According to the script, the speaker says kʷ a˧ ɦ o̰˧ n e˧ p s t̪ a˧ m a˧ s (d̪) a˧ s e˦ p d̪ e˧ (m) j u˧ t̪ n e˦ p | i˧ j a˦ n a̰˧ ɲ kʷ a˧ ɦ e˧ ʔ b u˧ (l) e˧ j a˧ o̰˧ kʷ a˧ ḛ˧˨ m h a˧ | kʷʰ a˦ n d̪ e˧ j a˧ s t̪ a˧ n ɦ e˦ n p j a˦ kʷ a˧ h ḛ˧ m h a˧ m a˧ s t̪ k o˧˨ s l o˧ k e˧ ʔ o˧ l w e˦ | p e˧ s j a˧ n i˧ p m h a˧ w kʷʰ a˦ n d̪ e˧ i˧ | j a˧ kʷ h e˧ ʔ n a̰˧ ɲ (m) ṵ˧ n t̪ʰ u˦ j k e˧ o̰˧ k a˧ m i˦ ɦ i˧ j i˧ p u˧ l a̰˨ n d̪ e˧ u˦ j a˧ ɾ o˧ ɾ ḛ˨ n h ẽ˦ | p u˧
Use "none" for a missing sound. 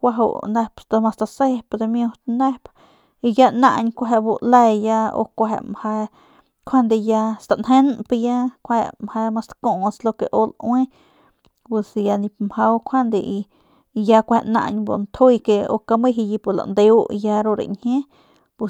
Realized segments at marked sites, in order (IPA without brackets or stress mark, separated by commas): t̪, m, l, b